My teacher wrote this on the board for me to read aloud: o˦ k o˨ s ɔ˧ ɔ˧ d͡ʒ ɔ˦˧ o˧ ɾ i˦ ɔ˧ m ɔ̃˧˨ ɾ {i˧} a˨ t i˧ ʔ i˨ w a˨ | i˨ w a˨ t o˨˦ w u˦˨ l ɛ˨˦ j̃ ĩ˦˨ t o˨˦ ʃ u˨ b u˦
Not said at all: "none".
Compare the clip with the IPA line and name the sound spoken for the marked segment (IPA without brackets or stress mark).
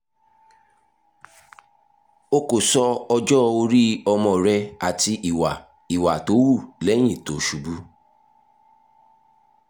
ɛ˧